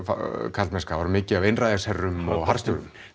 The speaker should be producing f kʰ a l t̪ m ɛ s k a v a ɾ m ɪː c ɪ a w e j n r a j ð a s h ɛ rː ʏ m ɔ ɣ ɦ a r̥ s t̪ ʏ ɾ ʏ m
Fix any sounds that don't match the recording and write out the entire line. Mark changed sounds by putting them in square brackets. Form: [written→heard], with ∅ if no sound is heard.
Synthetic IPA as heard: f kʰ a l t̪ m ɛ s k a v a ɾ m ɪː c ɪ a [w→v] e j n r a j ð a s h ɛ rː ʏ m ɔ ɣ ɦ a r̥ s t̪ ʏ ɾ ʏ m